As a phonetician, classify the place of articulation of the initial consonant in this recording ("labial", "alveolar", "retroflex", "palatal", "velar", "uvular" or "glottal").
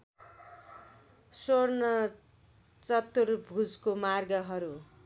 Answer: alveolar